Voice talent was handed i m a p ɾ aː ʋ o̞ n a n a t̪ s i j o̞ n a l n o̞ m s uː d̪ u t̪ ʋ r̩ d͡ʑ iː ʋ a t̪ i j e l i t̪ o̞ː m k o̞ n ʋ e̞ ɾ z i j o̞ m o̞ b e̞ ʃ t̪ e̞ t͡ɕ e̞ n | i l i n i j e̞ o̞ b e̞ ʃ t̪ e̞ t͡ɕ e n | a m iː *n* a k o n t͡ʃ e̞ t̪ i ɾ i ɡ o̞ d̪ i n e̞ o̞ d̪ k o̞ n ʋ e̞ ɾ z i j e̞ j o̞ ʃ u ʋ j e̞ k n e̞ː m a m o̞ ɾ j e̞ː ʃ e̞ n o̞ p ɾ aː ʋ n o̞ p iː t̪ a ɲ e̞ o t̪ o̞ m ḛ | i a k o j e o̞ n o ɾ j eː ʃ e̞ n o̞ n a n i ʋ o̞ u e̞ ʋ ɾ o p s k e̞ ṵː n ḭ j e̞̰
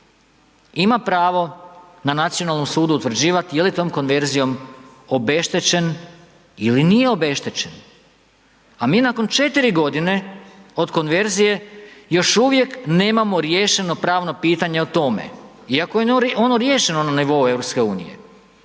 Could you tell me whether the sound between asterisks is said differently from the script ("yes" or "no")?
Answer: no